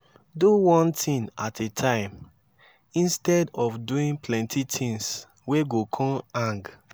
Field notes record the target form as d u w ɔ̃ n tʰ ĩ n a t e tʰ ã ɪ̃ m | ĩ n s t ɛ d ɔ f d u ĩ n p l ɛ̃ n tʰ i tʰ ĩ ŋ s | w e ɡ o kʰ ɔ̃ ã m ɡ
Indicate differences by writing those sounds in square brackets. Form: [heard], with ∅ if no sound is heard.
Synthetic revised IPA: d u w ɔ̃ n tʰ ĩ n a t e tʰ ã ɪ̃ m | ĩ n s t ɛ d ɔ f d u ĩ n p l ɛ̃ n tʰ i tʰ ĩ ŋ s | w e ɡ o kʰ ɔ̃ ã [ŋ] ɡ

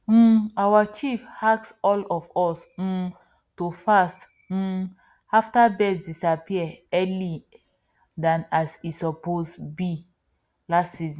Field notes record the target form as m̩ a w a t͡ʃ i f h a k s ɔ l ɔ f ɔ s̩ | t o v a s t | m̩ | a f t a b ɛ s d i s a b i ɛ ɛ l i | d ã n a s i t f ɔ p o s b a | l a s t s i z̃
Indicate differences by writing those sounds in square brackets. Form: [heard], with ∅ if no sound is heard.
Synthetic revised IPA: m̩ a w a t͡ʃ i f h a k s ɔ l ɔ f ɔ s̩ | t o [f] a s t | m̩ | a f t a b ɛ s d i s a [p] i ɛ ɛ l i | d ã n a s i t [s] ɔ p o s b [i] | l a s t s i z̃

